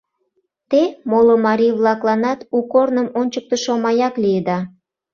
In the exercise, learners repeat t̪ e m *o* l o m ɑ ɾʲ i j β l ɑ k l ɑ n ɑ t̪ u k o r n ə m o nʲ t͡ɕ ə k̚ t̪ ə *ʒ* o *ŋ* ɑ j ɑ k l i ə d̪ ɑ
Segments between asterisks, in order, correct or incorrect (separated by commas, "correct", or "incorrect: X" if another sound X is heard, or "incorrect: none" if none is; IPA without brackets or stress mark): correct, incorrect: ʃ, incorrect: m